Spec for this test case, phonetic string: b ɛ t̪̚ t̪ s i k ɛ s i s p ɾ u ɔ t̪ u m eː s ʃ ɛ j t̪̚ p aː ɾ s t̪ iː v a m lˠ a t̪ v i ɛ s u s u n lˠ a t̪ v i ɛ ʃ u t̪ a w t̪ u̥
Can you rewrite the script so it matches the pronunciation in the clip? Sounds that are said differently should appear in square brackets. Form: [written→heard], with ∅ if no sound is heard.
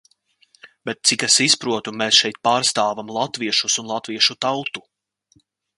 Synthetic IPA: b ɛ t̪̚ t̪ s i k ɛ s i s p ɾ u ɔ t̪ u m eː s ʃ ɛ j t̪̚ p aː ɾ s t̪ [iː→aː] v a m lˠ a t̪ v i ɛ [s→ʃ] u s u n lˠ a t̪ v i ɛ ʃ u t̪ a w t̪ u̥